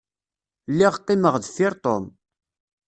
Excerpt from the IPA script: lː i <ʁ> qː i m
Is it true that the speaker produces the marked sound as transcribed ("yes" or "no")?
yes